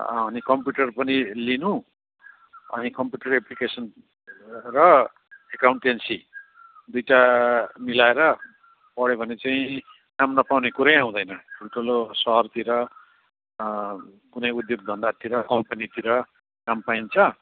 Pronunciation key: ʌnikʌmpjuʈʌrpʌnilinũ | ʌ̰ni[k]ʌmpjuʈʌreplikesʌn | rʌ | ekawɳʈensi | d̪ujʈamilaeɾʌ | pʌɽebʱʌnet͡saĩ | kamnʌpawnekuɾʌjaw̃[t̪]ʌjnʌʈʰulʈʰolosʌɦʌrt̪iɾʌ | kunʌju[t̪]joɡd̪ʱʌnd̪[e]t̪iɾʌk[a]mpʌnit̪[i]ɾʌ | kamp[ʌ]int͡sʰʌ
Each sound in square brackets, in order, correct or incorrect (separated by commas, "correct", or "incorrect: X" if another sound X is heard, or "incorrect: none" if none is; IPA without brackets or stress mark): correct, incorrect: d̪, incorrect: d̪, incorrect: a, incorrect: ʌ, correct, incorrect: a